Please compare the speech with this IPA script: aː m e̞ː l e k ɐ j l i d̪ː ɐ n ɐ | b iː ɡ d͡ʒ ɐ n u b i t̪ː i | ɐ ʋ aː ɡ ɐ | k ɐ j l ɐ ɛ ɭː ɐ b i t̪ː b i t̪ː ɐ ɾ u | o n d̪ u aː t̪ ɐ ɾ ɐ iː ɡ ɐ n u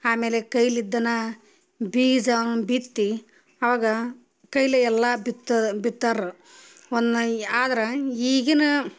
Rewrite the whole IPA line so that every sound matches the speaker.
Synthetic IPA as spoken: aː m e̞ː l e k ɐ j l i d̪ː ɐ n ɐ | b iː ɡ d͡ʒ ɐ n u b i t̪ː i | ɐ ʋ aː ɡ ɐ | k ɐ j l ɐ ɛ lː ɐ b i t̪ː b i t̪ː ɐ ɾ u | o n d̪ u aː d̪ ɐ ɾ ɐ iː ɡ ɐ n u